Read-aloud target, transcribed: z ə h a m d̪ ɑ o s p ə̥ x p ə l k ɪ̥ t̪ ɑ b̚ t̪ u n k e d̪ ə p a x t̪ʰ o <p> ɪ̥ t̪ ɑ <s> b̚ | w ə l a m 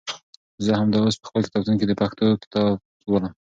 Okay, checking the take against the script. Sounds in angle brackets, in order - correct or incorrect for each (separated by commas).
incorrect, incorrect